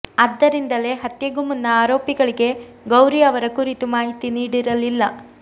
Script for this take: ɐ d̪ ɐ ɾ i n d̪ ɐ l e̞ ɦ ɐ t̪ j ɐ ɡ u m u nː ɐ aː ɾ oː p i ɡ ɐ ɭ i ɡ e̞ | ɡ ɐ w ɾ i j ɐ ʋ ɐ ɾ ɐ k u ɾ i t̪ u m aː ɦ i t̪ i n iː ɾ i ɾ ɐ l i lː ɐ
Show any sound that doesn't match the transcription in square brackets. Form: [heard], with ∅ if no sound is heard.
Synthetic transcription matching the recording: ɐ [d̪ː] ɐ ɾ i n d̪ ɐ l e̞ ɦ ɐ t̪ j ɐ ɡ u m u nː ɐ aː ɾ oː p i ɡ ɐ ɭ i ɡ e̞ | ɡ ɐ w ɾ i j ɐ ʋ ɐ ɾ ɐ k u ɾ i t̪ u m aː ɦ i t̪ i n iː [ɽ] i ɾ ɐ l i lː ɐ